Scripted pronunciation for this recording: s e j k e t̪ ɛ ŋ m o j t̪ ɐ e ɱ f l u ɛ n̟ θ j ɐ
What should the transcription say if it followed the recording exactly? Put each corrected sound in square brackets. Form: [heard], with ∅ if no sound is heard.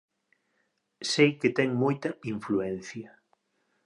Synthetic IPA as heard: s e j k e t̪ ɛ ŋ m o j t̪ ɐ [i] ɱ f l u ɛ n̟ θ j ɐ